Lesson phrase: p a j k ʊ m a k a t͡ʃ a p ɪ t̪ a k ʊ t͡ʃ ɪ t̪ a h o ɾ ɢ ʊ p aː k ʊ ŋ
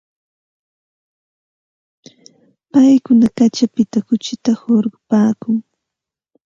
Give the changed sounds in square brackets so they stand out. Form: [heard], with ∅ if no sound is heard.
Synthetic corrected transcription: p a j k ʊ [n] a k a t͡ʃ a p ɪ t̪ a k ʊ t͡ʃ ɪ t̪ a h o ɾ ɢ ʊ p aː k ʊ ŋ